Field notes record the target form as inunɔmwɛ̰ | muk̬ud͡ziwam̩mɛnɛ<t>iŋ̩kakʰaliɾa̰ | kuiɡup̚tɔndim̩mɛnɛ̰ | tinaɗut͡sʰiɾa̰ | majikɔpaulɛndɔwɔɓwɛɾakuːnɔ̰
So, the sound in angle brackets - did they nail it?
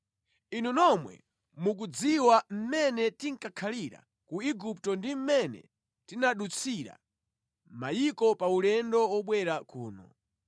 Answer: yes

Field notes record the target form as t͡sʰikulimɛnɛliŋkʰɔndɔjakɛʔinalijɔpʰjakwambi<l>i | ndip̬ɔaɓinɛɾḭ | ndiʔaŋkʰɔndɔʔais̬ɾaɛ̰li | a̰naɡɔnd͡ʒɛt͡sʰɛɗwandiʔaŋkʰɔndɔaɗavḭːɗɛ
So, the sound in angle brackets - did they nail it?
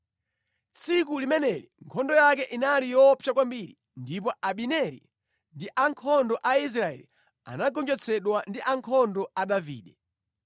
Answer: no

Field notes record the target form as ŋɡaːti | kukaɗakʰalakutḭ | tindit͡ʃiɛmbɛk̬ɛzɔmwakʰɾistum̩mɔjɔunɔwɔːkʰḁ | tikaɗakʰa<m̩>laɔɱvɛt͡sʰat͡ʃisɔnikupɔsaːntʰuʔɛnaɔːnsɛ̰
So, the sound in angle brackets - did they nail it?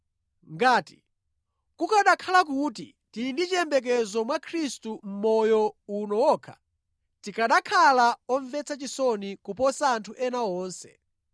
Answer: no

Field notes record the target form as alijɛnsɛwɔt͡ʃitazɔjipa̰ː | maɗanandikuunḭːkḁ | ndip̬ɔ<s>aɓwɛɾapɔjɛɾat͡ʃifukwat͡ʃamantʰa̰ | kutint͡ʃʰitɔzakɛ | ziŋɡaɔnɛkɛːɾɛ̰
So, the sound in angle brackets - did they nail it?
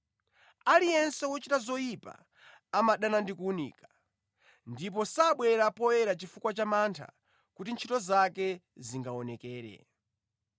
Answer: yes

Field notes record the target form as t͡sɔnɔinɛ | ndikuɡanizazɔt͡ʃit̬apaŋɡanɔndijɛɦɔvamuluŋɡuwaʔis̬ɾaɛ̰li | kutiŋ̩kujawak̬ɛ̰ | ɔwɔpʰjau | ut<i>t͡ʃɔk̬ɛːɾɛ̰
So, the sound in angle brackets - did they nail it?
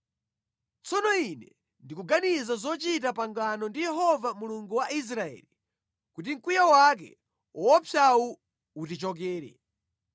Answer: yes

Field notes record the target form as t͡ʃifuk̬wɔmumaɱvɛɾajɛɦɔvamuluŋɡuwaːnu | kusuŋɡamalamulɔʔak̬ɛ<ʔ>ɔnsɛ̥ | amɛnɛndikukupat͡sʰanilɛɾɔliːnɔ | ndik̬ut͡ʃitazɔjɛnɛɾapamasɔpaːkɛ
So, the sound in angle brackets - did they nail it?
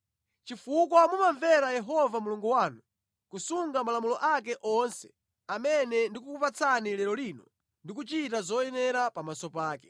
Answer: yes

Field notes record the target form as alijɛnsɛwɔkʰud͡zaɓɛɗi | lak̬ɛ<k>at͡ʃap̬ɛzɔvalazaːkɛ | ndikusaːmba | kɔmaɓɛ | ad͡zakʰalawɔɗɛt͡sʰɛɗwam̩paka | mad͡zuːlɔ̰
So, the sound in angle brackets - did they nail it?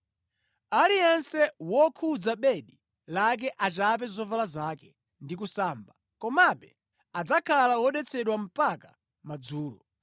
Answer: no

